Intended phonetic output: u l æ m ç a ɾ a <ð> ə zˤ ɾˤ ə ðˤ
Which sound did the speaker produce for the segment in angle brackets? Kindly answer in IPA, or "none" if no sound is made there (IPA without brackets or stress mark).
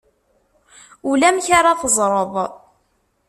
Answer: θ